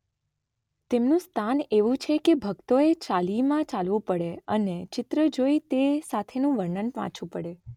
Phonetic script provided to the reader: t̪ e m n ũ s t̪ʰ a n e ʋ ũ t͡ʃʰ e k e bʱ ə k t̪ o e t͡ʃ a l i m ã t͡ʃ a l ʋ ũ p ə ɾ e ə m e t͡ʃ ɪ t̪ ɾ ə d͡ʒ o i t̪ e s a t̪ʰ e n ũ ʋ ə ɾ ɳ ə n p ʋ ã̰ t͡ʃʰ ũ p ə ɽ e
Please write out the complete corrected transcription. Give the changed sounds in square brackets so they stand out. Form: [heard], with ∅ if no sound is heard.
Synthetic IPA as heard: t̪ e m n ũ s t̪ʰ a n e ʋ ũ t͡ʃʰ e k e bʱ ə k t̪ o e t͡ʃ a l i m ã t͡ʃ a l ʋ ũ p ə [ɽ] e ə [n] e t͡ʃ ɪ t̪ ɾ ə d͡ʒ o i t̪ e s a t̪ʰ e n ũ ʋ ə ɾ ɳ ə n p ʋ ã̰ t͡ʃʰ ũ p ə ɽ e